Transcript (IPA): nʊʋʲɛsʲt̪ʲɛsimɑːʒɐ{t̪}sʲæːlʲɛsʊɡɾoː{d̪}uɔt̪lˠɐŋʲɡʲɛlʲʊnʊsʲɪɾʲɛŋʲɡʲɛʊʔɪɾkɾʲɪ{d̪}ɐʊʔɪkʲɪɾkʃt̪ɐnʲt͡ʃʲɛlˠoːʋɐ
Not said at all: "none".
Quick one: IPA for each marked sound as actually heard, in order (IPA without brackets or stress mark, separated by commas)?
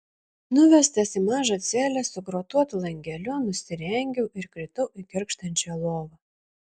t̪, t̪, t̪